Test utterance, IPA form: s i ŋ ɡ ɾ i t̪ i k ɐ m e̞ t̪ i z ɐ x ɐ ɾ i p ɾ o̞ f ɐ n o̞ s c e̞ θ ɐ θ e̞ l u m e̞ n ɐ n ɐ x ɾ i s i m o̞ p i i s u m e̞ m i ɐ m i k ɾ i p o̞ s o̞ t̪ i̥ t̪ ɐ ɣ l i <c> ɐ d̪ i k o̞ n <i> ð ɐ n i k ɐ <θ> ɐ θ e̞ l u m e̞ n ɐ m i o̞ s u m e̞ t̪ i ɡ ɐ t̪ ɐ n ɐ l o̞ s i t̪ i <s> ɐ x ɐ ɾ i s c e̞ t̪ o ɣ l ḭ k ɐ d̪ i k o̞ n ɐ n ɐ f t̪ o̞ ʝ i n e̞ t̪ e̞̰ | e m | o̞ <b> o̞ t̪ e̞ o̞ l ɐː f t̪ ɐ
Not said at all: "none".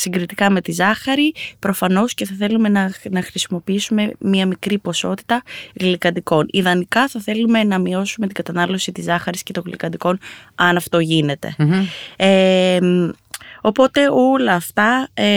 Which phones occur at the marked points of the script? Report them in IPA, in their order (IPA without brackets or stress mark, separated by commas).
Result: k, i, θ, z, p